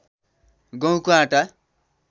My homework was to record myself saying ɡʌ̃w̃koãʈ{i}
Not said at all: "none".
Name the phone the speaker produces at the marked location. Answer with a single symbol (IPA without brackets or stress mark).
a